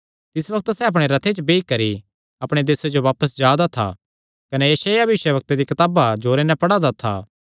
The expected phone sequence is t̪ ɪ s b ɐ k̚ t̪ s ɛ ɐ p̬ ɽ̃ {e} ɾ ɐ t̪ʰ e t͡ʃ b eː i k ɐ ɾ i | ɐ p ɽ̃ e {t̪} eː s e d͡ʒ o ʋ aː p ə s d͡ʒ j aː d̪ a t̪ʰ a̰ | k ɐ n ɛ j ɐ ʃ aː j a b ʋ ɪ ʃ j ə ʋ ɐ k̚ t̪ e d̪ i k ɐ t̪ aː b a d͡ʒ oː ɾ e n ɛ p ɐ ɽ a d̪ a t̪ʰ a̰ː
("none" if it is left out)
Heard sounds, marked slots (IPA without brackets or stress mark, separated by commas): e, d̪